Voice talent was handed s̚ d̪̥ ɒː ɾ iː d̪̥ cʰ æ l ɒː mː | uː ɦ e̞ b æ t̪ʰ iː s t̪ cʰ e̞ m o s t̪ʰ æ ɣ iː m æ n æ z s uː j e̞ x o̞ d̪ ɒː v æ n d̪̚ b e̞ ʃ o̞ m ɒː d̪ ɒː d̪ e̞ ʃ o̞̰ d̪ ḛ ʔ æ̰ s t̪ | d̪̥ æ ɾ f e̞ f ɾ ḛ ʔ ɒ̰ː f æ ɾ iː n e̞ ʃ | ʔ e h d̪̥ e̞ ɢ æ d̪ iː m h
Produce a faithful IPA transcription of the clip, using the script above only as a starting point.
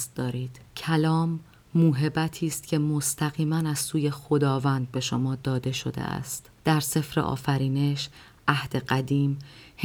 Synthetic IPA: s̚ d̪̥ ɒː ɾ iː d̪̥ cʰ æ l ɒː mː | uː ɦ e̞ b æ t̪ʰ iː s t̪ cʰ e̞ m o s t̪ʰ æ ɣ iː m æ n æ z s uː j e̞ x o̞ d̪ ɒː v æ n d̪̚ b e̞ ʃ o̞ m ɒː d̪ ɒː d̪ e̞ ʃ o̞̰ d̪ ḛ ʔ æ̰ s t̪ | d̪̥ æ ɾ s e̞ f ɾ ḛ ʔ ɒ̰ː f æ ɾ iː n e̞ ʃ | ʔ æ h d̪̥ e̞ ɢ æ d̪ iː m h